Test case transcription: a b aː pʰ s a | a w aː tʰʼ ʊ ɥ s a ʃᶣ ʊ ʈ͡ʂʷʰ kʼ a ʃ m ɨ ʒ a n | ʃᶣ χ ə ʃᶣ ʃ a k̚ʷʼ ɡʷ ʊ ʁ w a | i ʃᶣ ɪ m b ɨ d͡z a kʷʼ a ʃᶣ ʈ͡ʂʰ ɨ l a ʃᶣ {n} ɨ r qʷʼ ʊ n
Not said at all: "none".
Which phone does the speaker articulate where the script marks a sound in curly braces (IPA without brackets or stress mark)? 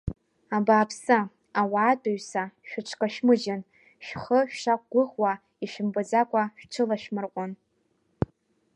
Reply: m